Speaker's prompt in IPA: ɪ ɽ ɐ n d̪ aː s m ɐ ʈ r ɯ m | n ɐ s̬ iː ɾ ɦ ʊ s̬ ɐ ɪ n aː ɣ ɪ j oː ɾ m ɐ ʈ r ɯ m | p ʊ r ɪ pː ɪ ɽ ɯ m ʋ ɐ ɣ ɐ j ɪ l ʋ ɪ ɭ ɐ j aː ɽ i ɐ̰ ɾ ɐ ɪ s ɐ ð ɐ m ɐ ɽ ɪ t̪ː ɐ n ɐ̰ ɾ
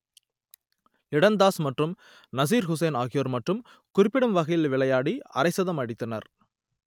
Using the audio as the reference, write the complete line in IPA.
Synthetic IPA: ɪ ɽ ɐ n d̪ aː s m ɐ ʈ r ɯ m | n ɐ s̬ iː ɾ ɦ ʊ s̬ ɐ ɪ n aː ɣ ɪ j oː ɾ m ɐ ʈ r ɯ m | k ʊ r ɪ pː ɪ ɽ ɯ m ʋ ɐ ɣ ɐ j ɪ l ʋ ɪ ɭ ɐ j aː ɽ i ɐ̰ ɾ ɐ ɪ s ɐ ð ɐ m ɐ ɽ ɪ t̪ː ɐ n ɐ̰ ɾ